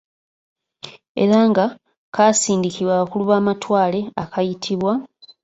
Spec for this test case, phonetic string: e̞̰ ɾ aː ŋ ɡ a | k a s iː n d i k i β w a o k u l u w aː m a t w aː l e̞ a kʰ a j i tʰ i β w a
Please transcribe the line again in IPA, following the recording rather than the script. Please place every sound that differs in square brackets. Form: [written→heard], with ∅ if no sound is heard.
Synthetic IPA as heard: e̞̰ ɾ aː ŋ ɡ a | k a s iː n d i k i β w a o k u l u [w→β] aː m a t w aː l e̞ a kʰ a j i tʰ i β w a